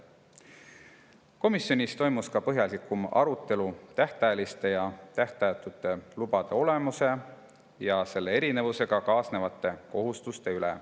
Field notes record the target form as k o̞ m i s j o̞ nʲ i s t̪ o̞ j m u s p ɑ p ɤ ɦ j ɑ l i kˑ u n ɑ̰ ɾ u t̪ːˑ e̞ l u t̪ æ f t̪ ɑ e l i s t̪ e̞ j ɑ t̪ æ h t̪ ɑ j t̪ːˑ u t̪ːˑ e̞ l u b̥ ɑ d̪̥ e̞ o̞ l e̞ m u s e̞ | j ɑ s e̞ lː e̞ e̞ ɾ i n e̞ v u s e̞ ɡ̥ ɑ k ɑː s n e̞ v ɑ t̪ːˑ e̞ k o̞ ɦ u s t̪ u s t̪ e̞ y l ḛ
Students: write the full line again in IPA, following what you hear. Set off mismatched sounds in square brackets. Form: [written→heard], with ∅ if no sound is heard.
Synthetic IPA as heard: k o̞ m i s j o̞ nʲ i s t̪ o̞ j m u s [p→k] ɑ p ɤ ɦ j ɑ l i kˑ u [n→m] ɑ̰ ɾ u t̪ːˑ e̞ l u t̪ æ [f→h] t̪ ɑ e l i s t̪ e̞ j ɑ t̪ æ h t̪ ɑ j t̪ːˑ u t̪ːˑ e̞ l u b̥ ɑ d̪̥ e̞ o̞ l e̞ m u s e̞ | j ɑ s e̞ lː e̞ e̞ ɾ i n e̞ v u s e̞ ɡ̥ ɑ k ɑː s n e̞ v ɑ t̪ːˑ e̞ k o̞ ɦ u s t̪ u s t̪ e̞ y l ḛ